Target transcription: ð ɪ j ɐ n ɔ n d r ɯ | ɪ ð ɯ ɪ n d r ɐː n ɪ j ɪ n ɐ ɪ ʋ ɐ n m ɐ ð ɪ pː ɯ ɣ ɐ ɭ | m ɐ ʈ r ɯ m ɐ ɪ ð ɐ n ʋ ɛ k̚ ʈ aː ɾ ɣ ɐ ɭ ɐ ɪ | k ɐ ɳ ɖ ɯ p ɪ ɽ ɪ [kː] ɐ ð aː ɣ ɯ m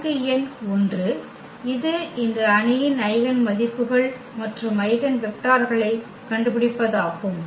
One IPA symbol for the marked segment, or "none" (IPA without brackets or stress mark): pː